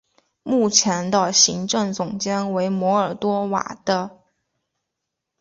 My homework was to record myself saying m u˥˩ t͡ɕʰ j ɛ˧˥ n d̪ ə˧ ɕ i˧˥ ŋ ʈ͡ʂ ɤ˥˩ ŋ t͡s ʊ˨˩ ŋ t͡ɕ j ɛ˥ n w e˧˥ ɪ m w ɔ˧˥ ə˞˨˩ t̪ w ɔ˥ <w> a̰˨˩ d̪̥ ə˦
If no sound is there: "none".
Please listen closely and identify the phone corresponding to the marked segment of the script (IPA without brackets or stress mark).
w